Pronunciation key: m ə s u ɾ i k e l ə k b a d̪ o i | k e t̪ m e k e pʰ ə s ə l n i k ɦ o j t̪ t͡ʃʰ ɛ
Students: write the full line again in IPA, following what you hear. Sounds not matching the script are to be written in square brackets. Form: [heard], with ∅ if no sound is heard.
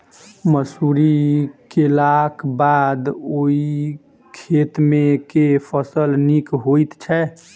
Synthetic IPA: m ə s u ɾ i k e l [a] k b a d̪ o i | [kʰ] e t̪ m e k e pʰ ə s ə l n i k ɦ o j t̪ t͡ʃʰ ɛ